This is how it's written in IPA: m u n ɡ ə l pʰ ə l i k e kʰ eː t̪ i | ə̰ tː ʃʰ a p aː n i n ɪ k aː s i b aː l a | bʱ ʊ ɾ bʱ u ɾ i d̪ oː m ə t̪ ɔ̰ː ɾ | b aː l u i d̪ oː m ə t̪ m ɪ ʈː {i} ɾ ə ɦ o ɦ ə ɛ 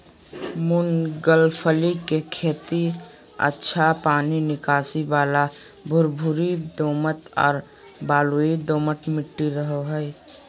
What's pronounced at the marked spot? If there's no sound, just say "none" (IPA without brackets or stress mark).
i